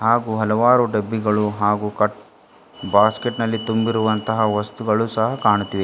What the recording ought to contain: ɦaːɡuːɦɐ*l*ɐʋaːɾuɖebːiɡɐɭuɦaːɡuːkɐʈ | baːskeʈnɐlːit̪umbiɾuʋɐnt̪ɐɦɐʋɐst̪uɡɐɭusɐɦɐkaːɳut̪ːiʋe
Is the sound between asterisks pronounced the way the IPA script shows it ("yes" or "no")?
yes